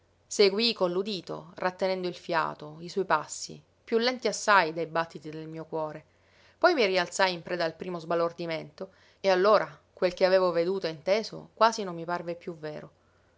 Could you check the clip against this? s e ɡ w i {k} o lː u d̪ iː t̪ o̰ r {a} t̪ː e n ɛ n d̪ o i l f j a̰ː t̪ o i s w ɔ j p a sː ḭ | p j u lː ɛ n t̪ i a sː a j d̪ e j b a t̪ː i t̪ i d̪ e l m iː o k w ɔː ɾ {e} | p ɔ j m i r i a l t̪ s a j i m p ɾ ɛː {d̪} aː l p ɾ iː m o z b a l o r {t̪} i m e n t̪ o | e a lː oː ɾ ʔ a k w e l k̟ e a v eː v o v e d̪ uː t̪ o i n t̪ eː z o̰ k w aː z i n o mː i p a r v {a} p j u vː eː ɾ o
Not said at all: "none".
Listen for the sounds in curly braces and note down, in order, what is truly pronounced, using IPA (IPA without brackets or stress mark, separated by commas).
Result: k, a, e, d̪, d̪, e